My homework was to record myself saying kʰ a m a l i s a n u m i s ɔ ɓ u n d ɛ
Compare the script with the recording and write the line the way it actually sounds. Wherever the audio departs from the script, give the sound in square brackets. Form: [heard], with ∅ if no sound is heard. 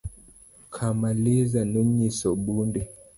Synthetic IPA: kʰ a m a l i [z] a n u [ɲ] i s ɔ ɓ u n d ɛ